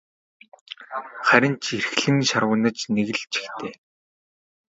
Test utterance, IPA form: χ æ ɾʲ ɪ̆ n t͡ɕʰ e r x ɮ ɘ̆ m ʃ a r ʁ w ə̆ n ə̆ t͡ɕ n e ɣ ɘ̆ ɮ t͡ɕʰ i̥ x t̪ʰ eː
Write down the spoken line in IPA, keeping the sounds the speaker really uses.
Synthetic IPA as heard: χ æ ɾʲ ɪ̆ n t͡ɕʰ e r x ɮ ɘ̆ ŋ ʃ a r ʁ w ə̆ n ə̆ t͡ɕ n e ɣ ɘ̆ ɮ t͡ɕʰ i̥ x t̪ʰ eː